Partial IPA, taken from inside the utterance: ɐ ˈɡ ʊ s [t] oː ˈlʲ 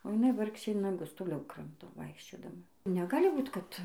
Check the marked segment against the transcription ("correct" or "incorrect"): correct